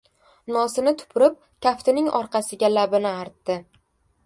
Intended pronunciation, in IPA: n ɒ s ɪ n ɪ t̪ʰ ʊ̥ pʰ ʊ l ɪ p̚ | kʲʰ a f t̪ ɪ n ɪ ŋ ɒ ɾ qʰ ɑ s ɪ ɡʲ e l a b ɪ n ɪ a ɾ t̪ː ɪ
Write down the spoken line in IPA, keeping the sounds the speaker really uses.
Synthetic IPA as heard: n ɒ s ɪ n ɪ t̪ʰ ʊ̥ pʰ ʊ ɾ ɪ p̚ | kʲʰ a f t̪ ɪ n ɪ ŋ ɒ ɾ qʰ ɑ s ɪ ɡʲ a l a b ɪ n ɪ a ɾ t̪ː ɪ